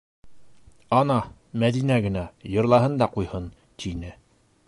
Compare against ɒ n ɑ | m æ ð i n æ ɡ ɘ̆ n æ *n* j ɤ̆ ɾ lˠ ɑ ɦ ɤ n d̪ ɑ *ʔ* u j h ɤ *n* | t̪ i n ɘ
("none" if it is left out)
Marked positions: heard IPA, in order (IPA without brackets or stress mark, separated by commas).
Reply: none, q, n